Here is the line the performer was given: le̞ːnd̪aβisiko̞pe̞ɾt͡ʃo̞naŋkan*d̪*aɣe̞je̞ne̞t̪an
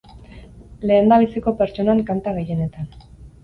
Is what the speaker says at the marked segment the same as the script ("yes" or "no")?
no